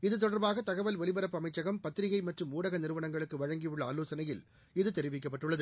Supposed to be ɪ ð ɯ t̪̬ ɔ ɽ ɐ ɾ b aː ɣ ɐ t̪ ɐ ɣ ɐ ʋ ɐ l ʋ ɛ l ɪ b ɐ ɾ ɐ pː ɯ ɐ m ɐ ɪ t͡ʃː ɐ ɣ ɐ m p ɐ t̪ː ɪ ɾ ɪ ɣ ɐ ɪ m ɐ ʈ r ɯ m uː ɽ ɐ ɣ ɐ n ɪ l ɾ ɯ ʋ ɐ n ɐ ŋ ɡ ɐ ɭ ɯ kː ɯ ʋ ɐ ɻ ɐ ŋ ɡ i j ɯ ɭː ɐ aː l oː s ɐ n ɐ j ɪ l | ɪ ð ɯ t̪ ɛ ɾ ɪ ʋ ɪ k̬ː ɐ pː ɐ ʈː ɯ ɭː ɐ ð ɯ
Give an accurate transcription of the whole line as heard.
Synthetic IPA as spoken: ɪ ð ɯ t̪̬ ɔ ɽ ɐ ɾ b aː ɣ ɐ t̪ ɐ ɣ ɐ ʋ ɐ l ʋ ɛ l ɪ b ɐ ɾ ɐ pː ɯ ɐ m ɐ ɪ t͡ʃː ɐ ɣ ɐ m p ɐ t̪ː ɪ ɾ ɪ ɣ ɐ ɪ m ɐ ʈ r ɯ m uː ɽ ɐ ɣ ɐ n ɪ ɾ ɯ ʋ ɐ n ɐ ŋ ɡ ɐ ɭ ɯ kː ɯ ʋ ɐ ɻ ɐ ŋ ɡ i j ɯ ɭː ɐ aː l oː s ɐ n ɐ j ɪ l | ɪ ð ɯ t̪ ɛ ɾ ɪ ʋ ɪ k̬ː ɐ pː ɐ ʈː ɯ ɭː ɐ ð ɯ